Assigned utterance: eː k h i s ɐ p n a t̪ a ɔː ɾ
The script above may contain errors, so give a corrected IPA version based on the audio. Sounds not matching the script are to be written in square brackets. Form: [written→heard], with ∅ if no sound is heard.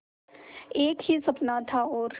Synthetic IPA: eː k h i s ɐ p n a [t̪→t̪ʰ] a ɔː ɾ